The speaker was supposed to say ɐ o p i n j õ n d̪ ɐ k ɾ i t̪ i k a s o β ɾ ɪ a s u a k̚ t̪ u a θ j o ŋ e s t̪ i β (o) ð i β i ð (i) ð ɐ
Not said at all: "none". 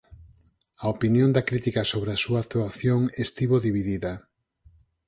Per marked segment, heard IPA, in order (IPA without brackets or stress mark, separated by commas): o, i